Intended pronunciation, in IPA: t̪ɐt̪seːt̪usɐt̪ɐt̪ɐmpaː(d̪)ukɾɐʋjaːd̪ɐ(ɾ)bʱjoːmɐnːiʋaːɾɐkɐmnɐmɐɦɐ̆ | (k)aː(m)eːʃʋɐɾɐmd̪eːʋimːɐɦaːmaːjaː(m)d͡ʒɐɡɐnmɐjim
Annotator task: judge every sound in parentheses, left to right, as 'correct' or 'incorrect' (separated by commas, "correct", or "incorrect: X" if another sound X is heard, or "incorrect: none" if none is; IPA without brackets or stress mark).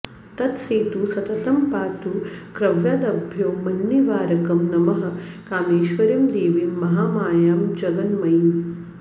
incorrect: t̪, incorrect: none, correct, correct, correct